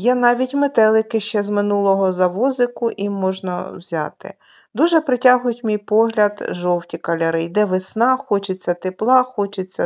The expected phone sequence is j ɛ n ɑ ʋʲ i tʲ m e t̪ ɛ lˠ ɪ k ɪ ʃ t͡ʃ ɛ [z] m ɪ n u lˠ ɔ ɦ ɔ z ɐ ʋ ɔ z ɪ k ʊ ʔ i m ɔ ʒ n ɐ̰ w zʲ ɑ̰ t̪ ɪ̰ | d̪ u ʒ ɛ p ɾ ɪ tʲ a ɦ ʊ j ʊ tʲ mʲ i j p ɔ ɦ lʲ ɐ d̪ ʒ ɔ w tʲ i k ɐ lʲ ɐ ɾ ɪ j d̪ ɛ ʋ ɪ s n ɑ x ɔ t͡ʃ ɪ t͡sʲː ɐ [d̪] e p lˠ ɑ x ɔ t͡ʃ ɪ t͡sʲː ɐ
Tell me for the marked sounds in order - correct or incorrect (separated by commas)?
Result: correct, incorrect